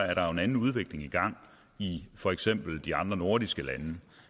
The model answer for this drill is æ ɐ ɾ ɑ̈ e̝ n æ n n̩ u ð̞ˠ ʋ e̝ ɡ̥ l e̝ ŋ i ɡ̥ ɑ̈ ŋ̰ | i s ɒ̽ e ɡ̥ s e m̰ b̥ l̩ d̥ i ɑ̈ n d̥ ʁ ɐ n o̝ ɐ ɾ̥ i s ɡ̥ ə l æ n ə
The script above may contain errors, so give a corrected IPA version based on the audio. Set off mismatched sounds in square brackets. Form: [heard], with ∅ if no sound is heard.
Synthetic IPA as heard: æ ɐ ɾ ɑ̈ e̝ n æ n n̩ u ð̞ˠ ʋ e̝ ɡ̥ l e̝ ŋ i ɡ̥ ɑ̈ ŋ̰ | i [f] ɒ̽ e ɡ̥ s e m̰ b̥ l̩ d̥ i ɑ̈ n d̥ ʁ ɐ n o̝ ɐ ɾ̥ i s ɡ̥ ə l æ n ə